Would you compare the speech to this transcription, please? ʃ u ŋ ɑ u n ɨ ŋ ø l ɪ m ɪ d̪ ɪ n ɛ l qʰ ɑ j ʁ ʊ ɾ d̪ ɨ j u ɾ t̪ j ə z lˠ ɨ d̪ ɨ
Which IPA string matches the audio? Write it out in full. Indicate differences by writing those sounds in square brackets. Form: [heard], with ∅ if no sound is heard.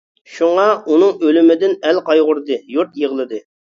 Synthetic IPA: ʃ u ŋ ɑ u n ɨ ŋ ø l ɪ m ɪ d̪ ɪ n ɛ l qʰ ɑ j ʁ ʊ ɾ d̪ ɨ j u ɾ t̪ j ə [ʁ] lˠ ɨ d̪ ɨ